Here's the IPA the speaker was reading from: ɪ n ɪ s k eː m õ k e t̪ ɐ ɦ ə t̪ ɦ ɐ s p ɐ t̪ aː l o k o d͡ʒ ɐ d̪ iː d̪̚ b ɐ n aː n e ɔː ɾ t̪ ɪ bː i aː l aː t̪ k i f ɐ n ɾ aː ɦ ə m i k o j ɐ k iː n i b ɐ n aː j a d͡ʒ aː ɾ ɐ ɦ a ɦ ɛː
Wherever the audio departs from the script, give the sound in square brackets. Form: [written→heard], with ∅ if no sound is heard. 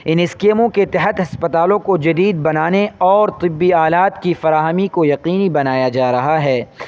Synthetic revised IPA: ɪ n ɪ s k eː m õ k e t̪ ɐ ɦ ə t̪ ɦ ɐ s p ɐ t̪ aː l [o→õ] k o d͡ʒ ɐ d̪ iː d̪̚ b ɐ n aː n e ɔː ɾ t̪ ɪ bː i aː l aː t̪ k i f ɐ [n→∅] ɾ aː ɦ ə m i k o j ɐ [k→q] iː n i b ɐ n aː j a d͡ʒ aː ɾ ɐ ɦ a ɦ ɛː